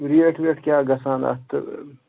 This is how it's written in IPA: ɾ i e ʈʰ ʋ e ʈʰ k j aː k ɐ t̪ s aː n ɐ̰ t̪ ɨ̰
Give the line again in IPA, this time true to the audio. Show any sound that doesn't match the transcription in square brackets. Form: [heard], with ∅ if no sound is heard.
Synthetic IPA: ɾ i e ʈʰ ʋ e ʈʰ k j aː [ɡ] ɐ [∅] s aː n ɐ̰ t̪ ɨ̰

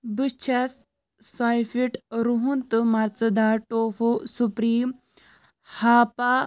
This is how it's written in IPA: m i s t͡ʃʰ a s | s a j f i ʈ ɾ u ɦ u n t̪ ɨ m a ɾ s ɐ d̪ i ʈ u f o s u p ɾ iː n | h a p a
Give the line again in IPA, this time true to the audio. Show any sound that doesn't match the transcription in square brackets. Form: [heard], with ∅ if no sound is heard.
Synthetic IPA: [b] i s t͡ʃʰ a s | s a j f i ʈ ɾ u ɦ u n t̪ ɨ m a ɾ [t͡s] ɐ d̪ [a] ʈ [o] f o s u p ɾ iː [m] | h a p a

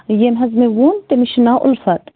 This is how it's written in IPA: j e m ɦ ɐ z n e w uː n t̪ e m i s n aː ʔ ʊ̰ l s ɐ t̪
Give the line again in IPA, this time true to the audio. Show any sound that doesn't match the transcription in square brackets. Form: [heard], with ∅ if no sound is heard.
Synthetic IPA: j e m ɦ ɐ z [m] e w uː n t̪ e m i [ʃ] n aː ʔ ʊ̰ l [f] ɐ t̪

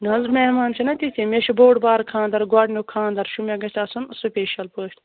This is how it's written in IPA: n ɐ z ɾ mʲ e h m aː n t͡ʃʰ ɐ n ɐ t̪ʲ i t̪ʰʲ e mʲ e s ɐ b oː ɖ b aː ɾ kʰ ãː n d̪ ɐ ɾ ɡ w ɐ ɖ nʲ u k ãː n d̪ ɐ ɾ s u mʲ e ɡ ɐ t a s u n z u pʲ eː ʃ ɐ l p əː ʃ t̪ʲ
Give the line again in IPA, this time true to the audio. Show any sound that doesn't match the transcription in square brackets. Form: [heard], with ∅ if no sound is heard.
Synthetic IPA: n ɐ z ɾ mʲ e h m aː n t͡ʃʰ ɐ n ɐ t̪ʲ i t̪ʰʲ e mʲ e [ʃ] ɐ b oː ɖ b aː ɾ kʰ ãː n d̪ ɐ ɾ ɡ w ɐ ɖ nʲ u [kʰ] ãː n d̪ ɐ ɾ [ʃ] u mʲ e ɡ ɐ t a s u n [s] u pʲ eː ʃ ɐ l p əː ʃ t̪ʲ

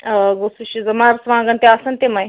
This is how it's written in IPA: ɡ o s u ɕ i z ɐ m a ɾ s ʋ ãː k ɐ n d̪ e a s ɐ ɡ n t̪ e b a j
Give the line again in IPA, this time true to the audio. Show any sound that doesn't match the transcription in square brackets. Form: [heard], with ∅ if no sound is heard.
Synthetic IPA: ɡ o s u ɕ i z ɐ m a ɾ s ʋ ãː [ɡ] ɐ n [t̪] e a s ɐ [∅] n t̪ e [m] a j

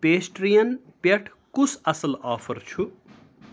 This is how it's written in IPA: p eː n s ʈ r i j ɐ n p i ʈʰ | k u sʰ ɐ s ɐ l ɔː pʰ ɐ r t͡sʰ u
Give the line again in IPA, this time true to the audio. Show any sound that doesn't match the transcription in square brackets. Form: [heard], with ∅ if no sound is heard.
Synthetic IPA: p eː [∅] s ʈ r i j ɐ n p [e] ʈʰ | k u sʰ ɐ s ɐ l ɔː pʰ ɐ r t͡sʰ u

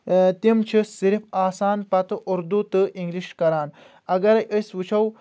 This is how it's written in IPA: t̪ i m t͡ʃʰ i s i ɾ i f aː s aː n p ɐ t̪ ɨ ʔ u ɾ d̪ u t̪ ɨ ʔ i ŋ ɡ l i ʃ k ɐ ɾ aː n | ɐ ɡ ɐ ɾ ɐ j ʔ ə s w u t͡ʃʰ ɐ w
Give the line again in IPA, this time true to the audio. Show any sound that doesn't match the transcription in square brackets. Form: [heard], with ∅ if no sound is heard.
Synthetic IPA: t̪ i m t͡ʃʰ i s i ɾ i f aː s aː n p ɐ t̪ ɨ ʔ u ɾ d̪ u t̪ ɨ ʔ i ŋ ɡ l i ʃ k ɐ ɾ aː n | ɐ ɡ ɐ ɾ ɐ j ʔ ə s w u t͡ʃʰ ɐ w

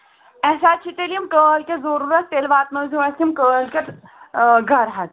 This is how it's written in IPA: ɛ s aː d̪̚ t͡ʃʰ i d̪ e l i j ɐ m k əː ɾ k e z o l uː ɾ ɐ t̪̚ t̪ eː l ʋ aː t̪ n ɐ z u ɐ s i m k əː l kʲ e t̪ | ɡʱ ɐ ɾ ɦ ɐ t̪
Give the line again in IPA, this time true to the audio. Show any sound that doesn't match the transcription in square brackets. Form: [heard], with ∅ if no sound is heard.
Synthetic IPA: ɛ s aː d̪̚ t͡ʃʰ i [t̪] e l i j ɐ m k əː [l] k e z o [ɾ] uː ɾ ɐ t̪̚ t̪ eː l ʋ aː t̪ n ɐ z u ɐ s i m k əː l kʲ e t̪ | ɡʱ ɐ ɾ ɦ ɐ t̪

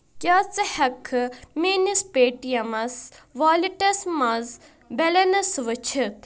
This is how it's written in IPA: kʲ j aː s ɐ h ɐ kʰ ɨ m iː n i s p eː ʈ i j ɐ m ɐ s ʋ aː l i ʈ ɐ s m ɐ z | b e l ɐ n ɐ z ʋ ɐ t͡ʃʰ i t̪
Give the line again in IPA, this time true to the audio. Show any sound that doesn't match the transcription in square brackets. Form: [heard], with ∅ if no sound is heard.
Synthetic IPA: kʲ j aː [t͡s] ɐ h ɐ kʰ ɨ m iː n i s p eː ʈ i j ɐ m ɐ s ʋ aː l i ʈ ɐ s m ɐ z | b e l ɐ n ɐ [s] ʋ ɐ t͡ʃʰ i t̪

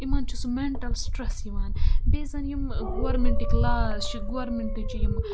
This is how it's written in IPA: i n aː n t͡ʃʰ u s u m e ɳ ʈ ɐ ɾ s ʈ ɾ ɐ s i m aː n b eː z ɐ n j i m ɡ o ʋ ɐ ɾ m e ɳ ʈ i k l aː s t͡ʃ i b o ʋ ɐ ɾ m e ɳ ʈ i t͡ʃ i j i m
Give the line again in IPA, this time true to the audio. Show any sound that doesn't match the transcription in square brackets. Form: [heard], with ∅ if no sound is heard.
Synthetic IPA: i [m] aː n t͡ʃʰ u s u m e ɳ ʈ ɐ [l] s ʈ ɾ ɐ s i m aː n b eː z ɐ n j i m ɡ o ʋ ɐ ɾ m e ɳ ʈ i k l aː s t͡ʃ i [ɡ] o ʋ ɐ ɾ m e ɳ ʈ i t͡ʃ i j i m

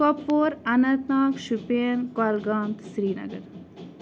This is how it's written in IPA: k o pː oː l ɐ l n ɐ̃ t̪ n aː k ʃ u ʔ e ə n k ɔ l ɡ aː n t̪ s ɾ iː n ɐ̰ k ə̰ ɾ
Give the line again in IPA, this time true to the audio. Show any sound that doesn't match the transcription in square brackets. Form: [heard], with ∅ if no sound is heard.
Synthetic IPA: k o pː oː [ɾ] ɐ [∅] n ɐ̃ t̪ n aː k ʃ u [p] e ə n k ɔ l ɡ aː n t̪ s ɾ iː n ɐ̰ [ɡ] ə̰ ɾ

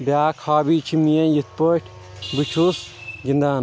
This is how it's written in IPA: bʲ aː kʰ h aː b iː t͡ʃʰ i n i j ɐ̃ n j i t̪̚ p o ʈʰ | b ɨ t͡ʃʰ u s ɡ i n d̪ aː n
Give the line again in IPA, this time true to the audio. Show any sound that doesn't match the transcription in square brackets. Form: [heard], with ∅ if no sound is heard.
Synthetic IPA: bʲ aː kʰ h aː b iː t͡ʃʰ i [m] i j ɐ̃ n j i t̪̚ p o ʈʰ | b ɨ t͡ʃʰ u s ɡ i n d̪ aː n

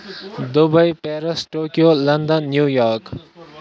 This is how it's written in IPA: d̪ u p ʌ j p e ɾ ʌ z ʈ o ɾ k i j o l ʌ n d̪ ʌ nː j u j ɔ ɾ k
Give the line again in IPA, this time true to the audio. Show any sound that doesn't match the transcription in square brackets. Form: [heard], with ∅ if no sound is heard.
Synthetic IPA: d̪ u [b] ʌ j p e ɾ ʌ [s] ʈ o [∅] k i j o l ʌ n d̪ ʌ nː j u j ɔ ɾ k

